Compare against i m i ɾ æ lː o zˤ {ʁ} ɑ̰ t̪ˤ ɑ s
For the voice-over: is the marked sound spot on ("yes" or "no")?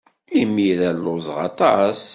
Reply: yes